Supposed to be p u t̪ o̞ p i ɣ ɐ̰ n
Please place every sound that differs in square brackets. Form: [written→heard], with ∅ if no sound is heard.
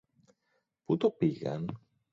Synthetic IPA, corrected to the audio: p u t̪ o̞ p i ɣ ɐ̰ n